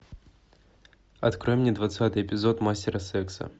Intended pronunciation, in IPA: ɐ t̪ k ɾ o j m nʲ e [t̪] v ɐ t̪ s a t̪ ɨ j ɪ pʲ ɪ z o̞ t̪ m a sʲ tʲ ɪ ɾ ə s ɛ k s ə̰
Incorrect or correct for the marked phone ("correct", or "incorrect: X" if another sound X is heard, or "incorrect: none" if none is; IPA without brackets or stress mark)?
incorrect: d̪